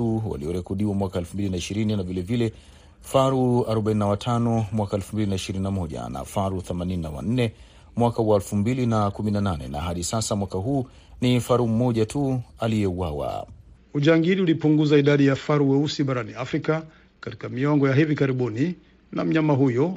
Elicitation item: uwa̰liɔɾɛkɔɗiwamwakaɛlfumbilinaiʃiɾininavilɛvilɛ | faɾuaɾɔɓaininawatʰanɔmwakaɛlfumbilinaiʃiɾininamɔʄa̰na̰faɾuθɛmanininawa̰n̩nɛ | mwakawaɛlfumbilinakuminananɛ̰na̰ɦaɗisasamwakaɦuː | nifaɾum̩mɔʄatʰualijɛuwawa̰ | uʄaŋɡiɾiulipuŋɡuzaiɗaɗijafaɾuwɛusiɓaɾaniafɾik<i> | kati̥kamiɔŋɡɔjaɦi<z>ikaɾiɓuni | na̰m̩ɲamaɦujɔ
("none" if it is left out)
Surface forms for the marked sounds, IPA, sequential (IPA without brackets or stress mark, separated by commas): a, v